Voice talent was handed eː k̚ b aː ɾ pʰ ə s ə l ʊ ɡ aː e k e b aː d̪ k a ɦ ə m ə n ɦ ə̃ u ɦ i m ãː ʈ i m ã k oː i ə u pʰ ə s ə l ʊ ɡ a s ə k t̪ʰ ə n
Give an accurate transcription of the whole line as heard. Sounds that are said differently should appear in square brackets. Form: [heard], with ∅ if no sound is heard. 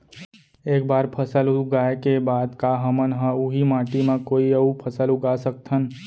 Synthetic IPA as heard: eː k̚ b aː ɾ pʰ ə s ə l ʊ ɡ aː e k e b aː d̪ k a ɦ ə m ə n ɦ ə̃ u ɦ i m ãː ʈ i m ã k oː i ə u pʰ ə s ə l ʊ ɡ a s ə k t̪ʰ ə n